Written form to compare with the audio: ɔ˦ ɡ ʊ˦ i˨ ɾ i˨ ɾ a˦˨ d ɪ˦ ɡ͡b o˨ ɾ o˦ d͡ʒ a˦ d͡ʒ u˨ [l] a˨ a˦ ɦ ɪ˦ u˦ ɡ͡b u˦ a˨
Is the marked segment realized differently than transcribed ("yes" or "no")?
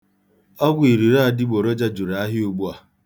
yes